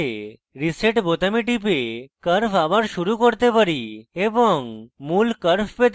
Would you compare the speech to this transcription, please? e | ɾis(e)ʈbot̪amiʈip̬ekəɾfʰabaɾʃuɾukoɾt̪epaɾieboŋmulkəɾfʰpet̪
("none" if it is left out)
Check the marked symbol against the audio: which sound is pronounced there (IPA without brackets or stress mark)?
e